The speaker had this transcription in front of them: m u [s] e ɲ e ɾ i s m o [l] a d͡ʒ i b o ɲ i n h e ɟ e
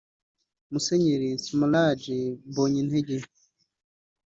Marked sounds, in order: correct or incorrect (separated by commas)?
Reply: correct, correct